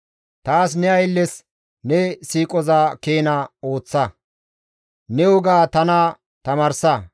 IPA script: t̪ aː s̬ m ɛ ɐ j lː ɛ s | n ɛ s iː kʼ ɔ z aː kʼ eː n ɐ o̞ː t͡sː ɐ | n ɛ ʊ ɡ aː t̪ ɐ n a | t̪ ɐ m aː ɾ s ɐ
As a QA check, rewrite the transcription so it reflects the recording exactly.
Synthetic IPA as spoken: t̪ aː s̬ n ɛ ɐ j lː ɛ s | n ɛ s iː kʼ ɔ z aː k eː n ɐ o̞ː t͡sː ɐ | n ɛ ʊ ɡ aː t̪ ɐ n a | t̪ ɐ m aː ɾ s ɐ

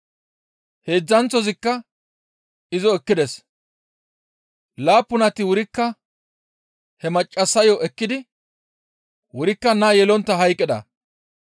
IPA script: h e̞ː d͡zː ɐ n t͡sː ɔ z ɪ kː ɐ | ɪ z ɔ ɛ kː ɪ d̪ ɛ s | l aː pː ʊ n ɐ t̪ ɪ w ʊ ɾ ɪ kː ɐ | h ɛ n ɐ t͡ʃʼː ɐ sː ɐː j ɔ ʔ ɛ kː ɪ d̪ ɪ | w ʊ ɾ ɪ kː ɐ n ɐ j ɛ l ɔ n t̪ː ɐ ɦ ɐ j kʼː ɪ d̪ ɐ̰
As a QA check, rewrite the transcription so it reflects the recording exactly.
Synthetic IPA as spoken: h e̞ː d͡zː ɐ n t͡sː ɔ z ɪ kː ɐ | ɪ z ɔ ɛ kː ɪ d̪ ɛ s | l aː pː ʊ n ɐ t̪ ɪ w ʊ ɾ ɪ kː ɐ | h ɛ m ɐ t͡ʃʼː ɐ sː ɐ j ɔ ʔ ɛ kː ɪ d̪ ɪ | w ʊ ɾ ɪ kː ɐ n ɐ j ɛ l ɔ n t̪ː ɐ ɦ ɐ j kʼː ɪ d̪ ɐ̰

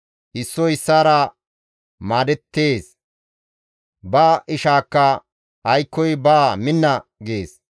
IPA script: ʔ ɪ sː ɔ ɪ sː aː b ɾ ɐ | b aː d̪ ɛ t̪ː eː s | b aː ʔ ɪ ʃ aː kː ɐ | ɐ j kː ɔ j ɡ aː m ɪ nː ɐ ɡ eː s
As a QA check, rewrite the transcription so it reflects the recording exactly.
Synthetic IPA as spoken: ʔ ɪ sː ɔ ɪ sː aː ɾ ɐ | m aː d̪ ɛ t̪ː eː s | b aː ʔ ɪ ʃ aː kː ɐ | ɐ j kː ɔ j b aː m ɪ nː ɐ ɡ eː s

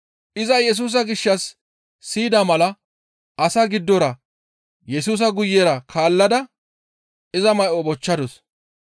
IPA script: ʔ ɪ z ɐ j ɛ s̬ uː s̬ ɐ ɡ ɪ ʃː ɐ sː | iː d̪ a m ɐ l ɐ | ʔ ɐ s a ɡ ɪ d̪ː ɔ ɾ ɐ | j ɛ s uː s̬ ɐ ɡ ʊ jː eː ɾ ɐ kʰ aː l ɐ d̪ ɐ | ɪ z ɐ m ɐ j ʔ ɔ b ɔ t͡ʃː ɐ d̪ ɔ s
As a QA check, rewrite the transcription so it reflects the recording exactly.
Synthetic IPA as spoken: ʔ ɪ z ɐ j ɛ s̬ uː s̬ ɐ ɡ ɪ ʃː ɐ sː | iː d̪ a m ɐ l ɐ | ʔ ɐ s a ɡ ɪ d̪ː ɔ ɾ ɐ | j ɛ s uː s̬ ɐ ɡ ʊ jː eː ɾ ɐ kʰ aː lː ɐ d̪ ɐ | ɪ z ɐ m ɐ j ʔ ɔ b ɔ t͡ʃː ɐ d̪ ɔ s

